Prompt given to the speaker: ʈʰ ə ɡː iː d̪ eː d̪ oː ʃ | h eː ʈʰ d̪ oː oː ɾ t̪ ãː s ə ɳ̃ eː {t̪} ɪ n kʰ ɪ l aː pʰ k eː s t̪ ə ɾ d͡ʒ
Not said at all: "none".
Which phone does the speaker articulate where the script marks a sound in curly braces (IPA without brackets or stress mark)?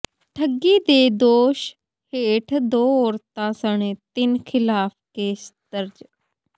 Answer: t̪